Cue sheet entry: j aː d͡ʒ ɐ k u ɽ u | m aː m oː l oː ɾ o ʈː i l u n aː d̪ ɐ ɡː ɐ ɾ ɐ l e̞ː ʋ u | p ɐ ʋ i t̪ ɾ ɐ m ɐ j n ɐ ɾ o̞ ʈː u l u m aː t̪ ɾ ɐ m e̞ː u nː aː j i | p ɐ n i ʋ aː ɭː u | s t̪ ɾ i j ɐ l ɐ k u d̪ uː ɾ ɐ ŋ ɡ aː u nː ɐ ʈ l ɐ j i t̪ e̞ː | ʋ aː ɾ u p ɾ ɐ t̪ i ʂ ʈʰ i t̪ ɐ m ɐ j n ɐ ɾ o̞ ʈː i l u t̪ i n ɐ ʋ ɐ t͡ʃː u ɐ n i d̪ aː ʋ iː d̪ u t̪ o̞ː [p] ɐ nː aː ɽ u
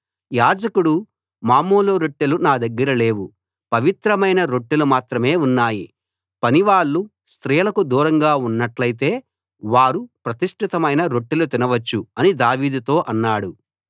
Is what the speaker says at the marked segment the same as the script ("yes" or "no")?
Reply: no